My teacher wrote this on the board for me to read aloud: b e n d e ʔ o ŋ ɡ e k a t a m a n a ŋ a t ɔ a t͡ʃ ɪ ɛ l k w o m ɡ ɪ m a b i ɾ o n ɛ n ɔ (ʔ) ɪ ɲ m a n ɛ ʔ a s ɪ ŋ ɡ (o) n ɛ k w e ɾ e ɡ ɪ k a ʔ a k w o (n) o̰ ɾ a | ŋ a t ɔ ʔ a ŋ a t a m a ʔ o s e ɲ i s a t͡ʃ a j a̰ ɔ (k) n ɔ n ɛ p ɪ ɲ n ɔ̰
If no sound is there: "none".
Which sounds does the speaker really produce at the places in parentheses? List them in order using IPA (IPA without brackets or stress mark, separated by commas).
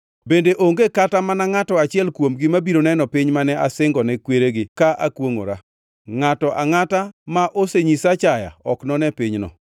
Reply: p, ɔ, ŋ, k